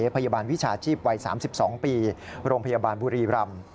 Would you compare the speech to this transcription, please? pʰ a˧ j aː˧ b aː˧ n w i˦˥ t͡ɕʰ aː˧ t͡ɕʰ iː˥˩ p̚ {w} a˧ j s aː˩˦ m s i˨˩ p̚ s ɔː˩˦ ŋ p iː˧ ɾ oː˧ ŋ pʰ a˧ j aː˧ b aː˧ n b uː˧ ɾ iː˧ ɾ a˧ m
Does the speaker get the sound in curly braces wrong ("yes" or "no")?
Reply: no